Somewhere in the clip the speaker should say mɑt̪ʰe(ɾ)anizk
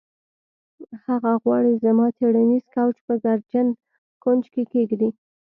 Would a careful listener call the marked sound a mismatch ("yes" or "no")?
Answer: yes